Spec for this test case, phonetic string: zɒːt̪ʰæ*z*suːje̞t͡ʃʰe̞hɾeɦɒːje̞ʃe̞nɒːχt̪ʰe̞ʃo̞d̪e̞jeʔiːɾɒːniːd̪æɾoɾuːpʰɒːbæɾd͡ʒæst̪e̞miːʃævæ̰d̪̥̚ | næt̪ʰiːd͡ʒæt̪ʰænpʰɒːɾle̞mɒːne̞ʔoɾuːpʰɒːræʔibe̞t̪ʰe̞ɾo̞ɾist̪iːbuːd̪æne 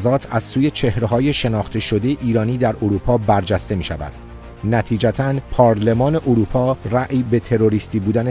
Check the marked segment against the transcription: correct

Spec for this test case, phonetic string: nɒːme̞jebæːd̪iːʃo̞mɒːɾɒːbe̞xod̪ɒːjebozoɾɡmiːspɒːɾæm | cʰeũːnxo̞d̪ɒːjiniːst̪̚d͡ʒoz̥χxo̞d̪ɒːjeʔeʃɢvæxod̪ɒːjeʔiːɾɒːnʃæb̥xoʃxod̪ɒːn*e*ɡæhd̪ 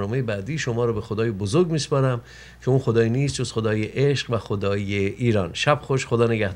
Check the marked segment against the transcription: correct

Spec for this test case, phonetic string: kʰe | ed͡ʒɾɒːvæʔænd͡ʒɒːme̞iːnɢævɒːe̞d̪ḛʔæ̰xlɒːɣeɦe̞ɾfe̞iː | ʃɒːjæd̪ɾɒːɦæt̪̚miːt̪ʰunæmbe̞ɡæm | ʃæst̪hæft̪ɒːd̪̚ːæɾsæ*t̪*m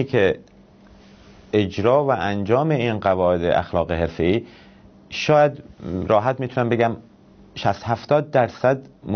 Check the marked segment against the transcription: incorrect: d̪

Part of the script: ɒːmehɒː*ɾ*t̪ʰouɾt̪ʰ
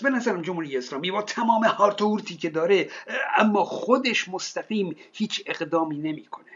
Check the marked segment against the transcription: correct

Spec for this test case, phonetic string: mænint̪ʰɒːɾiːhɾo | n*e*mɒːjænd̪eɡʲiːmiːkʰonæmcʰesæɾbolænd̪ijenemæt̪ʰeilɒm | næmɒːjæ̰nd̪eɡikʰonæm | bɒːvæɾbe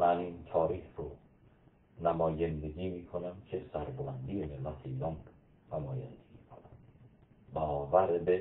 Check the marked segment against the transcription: incorrect: æ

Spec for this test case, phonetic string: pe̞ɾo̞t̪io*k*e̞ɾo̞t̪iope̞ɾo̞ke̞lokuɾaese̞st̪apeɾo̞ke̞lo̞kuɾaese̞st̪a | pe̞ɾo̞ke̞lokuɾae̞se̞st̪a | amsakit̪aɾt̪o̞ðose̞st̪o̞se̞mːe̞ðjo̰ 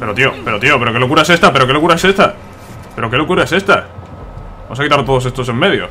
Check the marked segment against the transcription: incorrect: p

